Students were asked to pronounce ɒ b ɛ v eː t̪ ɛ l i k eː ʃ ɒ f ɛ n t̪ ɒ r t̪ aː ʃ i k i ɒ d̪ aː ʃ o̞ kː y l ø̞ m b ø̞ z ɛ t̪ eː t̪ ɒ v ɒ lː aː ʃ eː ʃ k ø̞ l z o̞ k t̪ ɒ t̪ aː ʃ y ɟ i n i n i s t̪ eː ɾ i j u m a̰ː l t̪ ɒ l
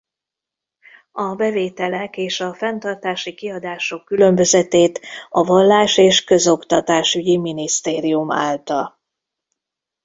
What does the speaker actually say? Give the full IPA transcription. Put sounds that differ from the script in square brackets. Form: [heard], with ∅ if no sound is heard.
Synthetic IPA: ɒ b ɛ v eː t̪ ɛ l [ɛ] k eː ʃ ɒ f ɛ n t̪ ɒ r t̪ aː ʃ i k i ɒ d̪ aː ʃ o̞ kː y l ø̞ m b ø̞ z ɛ t̪ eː t̪ ɒ v ɒ lː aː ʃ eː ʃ k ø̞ [∅] z o̞ k t̪ ɒ t̪ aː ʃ y ɟ i [m] i n i s t̪ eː ɾ i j u m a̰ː l t̪ ɒ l

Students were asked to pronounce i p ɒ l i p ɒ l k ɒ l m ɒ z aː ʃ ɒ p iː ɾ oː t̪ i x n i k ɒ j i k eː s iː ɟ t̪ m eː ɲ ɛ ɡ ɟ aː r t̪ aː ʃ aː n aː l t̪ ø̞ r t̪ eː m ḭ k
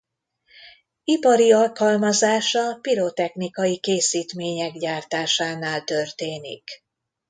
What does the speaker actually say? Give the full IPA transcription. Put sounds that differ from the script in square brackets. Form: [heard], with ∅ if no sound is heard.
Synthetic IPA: i p ɒ [ɾ] i [∅] ɒ l k ɒ l m ɒ z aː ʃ ɒ p [i] ɾ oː t̪ [ɛ] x n i k ɒ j i k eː s iː [∅] t̪ m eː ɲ ɛ ɡ ɟ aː r t̪ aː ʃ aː n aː l t̪ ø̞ r t̪ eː [n] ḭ k

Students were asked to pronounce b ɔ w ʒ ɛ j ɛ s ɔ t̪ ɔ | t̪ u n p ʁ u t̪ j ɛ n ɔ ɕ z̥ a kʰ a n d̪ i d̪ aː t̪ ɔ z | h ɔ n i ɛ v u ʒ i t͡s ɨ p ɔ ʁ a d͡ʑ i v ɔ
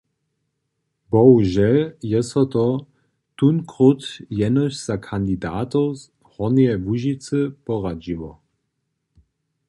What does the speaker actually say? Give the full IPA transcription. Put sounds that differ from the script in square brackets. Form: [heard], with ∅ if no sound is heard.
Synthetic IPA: b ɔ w ʒ ɛ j ɛ s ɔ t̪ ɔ | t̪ u n [k] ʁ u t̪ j ɛ n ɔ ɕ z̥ a kʰ a n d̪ i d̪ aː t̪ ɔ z | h ɔ n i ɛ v u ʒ i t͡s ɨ p ɔ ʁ a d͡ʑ i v ɔ

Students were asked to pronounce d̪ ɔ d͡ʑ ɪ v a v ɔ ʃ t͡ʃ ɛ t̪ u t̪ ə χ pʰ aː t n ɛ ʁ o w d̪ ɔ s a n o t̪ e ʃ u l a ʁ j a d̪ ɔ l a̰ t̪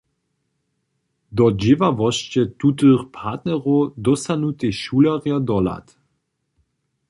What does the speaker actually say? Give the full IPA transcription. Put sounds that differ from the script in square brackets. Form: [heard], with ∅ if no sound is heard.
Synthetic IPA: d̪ ɔ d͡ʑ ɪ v a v ɔ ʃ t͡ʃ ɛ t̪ u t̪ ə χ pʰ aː t n ɛ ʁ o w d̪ ɔ s a n [u] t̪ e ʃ u l a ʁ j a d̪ ɔ l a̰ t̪

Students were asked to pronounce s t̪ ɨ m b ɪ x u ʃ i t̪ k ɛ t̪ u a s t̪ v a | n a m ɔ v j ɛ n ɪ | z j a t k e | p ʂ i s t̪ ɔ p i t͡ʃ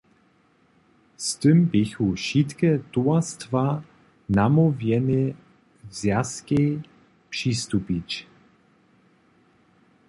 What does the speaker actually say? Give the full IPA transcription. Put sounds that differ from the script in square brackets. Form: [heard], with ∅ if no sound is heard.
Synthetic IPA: s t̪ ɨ m b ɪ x u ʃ i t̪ k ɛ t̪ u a s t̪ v a | n a m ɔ v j ɛ n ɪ | z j a [s] k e | p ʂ i s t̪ [u] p i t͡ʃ

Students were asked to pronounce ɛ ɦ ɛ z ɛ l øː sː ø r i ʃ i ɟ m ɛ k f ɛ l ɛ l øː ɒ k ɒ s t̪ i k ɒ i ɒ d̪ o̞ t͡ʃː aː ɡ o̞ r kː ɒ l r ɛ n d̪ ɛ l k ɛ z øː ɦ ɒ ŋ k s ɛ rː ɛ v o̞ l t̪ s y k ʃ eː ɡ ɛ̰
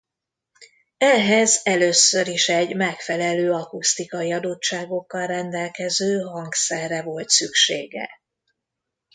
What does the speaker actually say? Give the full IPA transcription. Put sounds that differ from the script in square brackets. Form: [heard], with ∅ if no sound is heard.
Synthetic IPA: ɛ ɦ ɛ z ɛ l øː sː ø [ɾ] i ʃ [ɛ] ɟ m ɛ k f ɛ l ɛ l øː ɒ k [u] s t̪ i k ɒ i ɒ d̪ o̞ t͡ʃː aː ɡ o̞ [∅] kː ɒ l r ɛ n d̪ ɛ l k ɛ z øː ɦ ɒ ŋ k s ɛ rː ɛ v o̞ l t̪ s y k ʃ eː ɡ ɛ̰

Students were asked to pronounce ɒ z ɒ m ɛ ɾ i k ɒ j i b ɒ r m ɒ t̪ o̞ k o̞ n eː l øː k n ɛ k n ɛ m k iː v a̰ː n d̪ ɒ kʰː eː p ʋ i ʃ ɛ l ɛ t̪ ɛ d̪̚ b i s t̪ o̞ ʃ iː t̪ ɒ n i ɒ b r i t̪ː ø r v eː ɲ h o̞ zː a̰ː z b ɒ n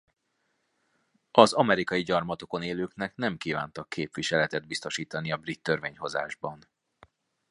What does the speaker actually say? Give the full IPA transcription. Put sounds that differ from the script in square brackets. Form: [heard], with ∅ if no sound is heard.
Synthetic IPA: ɒ z ɒ m ɛ ɾ i k ɒ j i [ɟ] ɒ r m ɒ t̪ o̞ k o̞ n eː l øː k n ɛ k n ɛ m k iː v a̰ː n [t̪] ɒ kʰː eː p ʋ i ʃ ɛ l ɛ t̪ ɛ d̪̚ b i s t̪ o̞ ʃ iː t̪ ɒ n i ɒ b r i t̪ː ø r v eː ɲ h o̞ [z] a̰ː [ʒ] b ɒ n

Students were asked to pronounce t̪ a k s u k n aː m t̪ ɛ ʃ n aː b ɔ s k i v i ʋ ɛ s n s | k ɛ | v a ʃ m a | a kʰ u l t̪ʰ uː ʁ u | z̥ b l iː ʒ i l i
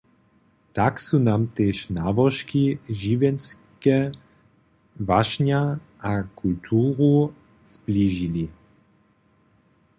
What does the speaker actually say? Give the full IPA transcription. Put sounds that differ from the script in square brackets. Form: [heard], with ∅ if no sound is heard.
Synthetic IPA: t̪ a k s u [∅] n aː m t̪ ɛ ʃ n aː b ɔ [ʃ] k i [ʒ] i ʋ ɛ [∅] n s | k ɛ | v a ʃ [ɲ] a | a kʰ u l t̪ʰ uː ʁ u | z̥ b l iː ʒ i l i

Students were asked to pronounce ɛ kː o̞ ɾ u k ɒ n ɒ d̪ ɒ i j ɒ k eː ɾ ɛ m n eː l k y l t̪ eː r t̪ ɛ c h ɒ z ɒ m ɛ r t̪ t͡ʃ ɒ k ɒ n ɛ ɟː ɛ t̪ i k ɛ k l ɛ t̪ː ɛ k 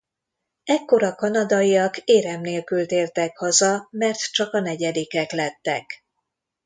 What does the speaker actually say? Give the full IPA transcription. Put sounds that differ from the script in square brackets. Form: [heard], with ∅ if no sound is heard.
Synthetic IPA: ɛ kː o̞ ɾ [ɒ] k ɒ n ɒ d̪ ɒ i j ɒ k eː ɾ ɛ m n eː l k y l t̪ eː r t̪ ɛ [k] h ɒ z ɒ m ɛ r t̪ t͡ʃ ɒ k ɒ n ɛ [ɟ] ɛ [d̪] i k ɛ k l ɛ t̪ː ɛ k

